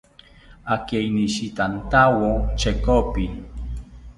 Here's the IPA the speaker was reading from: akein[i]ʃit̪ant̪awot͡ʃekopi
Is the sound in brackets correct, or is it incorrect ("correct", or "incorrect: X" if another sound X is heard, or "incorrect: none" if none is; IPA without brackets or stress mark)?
correct